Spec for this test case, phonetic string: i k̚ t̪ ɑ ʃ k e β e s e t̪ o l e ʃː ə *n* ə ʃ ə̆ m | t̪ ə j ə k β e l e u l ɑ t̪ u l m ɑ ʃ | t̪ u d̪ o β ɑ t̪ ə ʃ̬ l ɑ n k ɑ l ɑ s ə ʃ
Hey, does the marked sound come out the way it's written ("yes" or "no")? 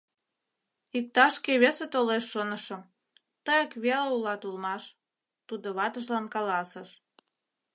yes